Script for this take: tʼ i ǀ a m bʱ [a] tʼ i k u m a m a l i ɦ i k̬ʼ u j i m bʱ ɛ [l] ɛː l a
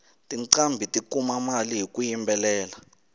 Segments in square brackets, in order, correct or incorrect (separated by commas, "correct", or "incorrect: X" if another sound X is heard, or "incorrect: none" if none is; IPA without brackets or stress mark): incorrect: i, correct